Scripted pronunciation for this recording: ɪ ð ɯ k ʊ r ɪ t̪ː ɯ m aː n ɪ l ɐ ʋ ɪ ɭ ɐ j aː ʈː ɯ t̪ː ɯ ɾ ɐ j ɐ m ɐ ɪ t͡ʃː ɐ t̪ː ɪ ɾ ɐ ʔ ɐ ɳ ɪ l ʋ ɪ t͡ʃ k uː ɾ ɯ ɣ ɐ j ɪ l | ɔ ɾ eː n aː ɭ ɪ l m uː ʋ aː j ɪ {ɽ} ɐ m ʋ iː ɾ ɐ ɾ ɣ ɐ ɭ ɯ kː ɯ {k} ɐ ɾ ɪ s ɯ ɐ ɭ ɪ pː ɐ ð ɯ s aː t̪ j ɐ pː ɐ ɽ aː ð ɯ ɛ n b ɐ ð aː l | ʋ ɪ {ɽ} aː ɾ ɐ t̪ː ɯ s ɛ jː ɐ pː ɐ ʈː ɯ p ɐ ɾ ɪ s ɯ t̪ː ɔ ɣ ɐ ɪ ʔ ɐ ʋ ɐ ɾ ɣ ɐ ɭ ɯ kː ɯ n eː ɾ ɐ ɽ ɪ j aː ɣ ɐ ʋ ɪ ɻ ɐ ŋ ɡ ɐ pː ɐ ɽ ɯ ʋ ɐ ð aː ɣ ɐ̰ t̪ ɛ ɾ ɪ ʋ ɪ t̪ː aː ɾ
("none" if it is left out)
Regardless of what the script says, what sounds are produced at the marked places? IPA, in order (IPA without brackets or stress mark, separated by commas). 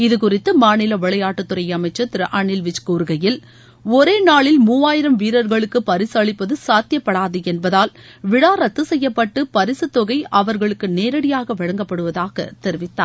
ɾ, p, ɽ